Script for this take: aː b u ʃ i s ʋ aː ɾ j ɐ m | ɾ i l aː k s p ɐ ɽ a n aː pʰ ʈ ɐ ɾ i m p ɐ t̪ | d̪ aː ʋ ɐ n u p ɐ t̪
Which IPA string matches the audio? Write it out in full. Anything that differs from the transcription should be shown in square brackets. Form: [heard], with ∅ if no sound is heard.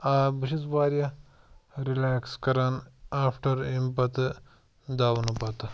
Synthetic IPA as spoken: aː b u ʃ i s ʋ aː ɾ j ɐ [∅] | ɾ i l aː k s [k] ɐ [ɾ] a n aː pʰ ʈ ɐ ɾ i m p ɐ t̪ | d̪ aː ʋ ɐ n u p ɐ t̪